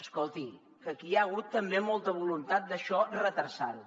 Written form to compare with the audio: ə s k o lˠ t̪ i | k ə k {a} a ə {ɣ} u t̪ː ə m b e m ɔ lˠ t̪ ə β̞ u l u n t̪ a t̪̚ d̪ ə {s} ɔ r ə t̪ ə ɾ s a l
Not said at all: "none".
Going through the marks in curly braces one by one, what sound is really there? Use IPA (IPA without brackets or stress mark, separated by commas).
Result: i, ɣ, ʃ